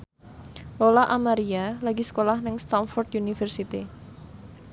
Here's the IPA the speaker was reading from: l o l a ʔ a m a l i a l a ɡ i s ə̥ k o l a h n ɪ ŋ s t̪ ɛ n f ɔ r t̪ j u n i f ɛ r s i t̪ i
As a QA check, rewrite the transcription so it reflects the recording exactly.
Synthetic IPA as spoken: l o l a ʔ a m a ɾ i a l a ɡ i s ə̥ k o l a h n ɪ ŋ s t̪ a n f ɔ r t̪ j u n i f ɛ r s i t̪ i